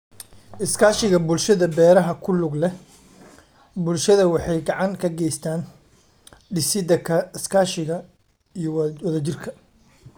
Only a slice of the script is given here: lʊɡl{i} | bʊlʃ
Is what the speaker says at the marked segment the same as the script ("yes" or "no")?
no